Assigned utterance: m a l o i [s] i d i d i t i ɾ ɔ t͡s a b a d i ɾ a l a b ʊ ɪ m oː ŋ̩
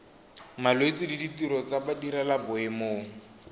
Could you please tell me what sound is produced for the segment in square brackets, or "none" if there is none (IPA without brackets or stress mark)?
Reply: t͡s